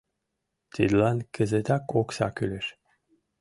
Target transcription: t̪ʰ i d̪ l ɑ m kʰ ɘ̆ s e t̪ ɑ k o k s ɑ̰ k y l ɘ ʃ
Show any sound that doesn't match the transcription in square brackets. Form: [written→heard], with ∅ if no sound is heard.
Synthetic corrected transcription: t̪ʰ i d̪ l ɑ [m→n] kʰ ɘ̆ [s→z] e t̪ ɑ k o k s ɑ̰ k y l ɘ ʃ

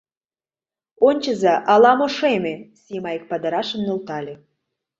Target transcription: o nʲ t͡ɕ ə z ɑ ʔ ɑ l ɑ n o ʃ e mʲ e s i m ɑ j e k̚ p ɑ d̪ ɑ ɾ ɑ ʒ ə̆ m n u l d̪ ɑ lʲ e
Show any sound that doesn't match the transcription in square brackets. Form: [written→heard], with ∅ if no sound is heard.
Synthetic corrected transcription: o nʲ t͡ɕ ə z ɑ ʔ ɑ l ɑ [n→m] o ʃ e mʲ e s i m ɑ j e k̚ p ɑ d̪ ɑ ɾ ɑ [ʒ→ʃ] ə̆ m n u l [d̪→t̪] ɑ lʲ e

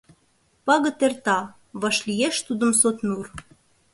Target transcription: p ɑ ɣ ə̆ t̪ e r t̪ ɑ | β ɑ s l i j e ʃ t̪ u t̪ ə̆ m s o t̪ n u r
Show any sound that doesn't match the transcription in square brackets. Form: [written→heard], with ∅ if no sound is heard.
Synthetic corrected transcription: p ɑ ɣ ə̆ t̪ e r t̪ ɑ | β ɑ [s→ʃ] l i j e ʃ t̪ u [t̪→d̪] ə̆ m s o t̪ n u r

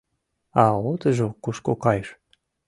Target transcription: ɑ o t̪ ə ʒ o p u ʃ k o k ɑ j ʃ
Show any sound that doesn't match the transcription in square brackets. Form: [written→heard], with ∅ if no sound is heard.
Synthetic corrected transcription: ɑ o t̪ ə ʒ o [p→k] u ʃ k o k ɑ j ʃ

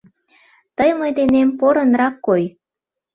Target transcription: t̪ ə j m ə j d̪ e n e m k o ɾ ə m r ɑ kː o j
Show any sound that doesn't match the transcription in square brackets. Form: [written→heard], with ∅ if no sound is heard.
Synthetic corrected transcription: t̪ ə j m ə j d̪ e n e m [k→p] o ɾ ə [m→n] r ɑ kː o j

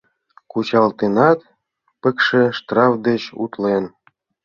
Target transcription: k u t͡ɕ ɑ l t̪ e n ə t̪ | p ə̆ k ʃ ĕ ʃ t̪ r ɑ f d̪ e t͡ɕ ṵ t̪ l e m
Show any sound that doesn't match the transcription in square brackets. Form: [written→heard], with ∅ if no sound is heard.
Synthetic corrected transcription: k u t͡ɕ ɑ l t̪ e n [ə→ɑ] t̪ | p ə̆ k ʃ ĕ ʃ t̪ r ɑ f d̪ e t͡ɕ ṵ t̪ l e [m→n]

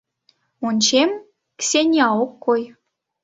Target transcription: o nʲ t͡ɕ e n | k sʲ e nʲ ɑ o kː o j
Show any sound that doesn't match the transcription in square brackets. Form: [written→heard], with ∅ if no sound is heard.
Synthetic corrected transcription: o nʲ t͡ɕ e [n→m] | k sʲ e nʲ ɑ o kː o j

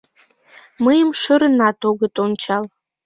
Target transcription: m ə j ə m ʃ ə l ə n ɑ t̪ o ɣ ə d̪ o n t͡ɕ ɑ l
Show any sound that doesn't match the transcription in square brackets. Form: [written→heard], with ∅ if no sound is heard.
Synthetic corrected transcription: m ə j ə m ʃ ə [l→ɾ] ə n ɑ t̪ o ɣ ə [d̪→t̪] o n t͡ɕ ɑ l

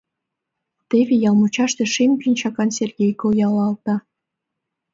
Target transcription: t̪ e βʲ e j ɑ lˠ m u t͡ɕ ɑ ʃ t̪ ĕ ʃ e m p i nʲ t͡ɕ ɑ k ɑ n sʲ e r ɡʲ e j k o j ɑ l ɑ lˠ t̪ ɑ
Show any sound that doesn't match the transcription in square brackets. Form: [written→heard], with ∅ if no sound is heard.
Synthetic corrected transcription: t̪ e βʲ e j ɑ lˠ m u t͡ɕ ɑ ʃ t̪ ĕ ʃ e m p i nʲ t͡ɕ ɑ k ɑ n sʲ e r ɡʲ e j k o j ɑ l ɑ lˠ t̪ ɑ

